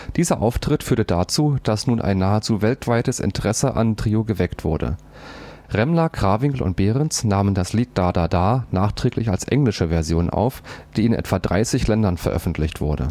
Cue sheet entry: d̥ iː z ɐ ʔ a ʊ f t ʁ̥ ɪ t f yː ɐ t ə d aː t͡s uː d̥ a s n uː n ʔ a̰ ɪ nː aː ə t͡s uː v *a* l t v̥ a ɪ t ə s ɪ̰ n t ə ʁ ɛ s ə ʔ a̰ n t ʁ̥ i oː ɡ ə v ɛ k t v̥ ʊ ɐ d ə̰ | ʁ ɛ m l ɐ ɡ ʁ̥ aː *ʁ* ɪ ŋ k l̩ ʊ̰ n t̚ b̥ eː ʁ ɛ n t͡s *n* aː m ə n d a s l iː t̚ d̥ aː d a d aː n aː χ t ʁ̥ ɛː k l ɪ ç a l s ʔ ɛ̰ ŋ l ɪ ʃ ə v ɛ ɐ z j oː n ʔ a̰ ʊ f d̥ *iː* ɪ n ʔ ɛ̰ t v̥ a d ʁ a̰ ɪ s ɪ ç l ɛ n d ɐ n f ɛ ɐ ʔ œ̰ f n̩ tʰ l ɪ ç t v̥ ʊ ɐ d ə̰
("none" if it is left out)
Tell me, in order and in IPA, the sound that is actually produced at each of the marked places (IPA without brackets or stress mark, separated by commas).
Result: ɛ, v, n, iː